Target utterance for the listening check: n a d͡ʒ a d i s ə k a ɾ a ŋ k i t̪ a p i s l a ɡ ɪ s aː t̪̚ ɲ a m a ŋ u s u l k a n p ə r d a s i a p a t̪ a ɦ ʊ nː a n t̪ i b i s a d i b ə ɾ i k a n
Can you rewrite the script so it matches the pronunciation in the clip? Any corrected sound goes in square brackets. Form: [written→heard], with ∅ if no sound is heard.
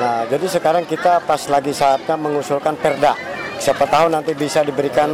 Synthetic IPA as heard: n a d͡ʒ a d i s ə k a ɾ a ŋ k i t̪ a p [i→a] s l a ɡ [ɪ→i] s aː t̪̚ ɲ a m [a→ə] ŋ u s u l k a n p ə r d a s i a p a t̪ a ɦ ʊ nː a n t̪ i b i s a d i b ə ɾ i k a n